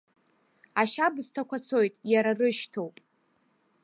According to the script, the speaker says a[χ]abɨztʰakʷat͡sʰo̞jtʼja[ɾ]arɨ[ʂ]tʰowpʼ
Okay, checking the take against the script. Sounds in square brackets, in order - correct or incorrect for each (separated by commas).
incorrect, correct, incorrect